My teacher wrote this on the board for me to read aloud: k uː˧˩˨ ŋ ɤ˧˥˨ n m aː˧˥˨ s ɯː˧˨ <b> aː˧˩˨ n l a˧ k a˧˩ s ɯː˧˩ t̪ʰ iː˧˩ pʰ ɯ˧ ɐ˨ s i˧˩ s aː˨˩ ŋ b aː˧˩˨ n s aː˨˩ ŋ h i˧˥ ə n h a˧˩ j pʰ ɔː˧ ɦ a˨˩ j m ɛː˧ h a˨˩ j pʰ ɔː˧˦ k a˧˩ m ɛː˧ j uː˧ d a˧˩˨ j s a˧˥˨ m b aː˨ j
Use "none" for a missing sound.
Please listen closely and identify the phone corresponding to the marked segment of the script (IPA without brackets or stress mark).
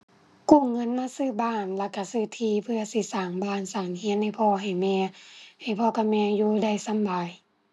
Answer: b